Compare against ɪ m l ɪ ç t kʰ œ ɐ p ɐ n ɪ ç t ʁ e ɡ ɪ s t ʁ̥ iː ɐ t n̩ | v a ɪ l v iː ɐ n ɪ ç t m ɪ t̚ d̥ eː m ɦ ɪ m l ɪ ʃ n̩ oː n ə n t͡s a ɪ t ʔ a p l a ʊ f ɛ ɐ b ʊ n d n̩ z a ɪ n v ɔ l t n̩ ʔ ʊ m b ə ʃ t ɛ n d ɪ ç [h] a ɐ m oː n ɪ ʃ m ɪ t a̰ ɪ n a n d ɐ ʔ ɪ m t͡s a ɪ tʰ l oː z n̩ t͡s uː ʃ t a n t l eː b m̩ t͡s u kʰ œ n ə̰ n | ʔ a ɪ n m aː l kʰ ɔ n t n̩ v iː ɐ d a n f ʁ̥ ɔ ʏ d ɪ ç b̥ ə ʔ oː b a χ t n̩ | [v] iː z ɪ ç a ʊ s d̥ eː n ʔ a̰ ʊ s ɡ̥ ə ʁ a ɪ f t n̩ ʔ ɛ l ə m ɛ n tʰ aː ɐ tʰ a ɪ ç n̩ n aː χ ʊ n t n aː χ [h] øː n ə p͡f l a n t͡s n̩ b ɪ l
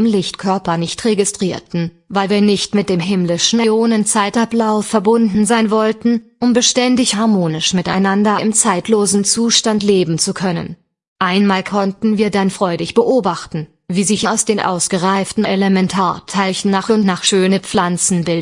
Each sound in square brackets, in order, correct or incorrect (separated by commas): correct, correct, incorrect